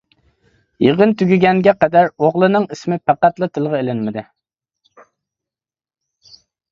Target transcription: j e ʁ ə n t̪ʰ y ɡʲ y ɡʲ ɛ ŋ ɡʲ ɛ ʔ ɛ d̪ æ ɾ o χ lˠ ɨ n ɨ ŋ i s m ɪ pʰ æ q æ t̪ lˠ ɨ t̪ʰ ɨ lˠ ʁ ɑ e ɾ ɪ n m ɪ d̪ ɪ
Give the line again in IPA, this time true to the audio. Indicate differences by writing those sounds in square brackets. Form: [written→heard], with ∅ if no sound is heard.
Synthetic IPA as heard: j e ʁ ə n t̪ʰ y ɡʲ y ɡʲ ɛ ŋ ɡʲ ɛ [ʔ→q] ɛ d̪ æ ɾ o [χ→ʁ] lˠ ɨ n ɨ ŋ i s m ɪ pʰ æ q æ t̪ lˠ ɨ t̪ʰ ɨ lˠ ʁ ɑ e [ɾ→l] ɪ n m ɪ d̪ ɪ